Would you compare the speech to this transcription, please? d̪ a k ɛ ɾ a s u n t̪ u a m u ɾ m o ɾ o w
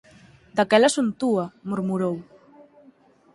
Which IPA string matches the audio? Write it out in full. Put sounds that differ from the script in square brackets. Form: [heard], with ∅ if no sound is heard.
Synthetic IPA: d̪ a k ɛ [l] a s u n t̪ u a m u ɾ m [u] ɾ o w